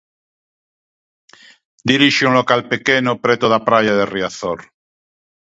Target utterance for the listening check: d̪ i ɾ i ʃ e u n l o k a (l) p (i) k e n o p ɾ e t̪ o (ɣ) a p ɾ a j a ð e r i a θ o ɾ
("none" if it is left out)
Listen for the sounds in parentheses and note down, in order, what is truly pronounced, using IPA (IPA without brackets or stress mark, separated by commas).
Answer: l, e, ð